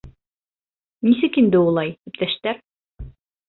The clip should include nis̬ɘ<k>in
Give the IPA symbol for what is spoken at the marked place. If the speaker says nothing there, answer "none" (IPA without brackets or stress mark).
k